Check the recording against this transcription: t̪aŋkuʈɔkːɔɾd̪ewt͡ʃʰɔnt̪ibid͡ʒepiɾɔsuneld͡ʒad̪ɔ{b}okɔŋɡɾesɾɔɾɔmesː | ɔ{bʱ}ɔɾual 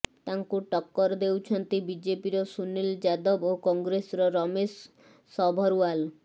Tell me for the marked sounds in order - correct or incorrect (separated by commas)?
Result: correct, correct